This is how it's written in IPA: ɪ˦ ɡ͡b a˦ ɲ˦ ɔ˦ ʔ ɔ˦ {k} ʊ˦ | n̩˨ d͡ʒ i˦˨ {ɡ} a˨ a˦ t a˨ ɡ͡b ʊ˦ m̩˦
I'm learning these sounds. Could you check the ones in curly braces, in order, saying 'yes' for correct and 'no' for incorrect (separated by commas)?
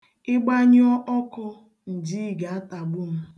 yes, yes